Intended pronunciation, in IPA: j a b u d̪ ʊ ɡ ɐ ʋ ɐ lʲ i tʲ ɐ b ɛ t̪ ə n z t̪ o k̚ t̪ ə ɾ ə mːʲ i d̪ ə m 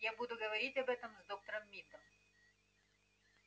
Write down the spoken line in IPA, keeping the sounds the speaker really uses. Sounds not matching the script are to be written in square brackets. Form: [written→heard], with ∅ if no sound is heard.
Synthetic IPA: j a b u d̪ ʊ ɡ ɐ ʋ ɐ [lʲ→ɾʲ] i tʲ ɐ b ɛ t̪ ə [n→m] z [t̪→d̪] o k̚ t̪ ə ɾ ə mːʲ i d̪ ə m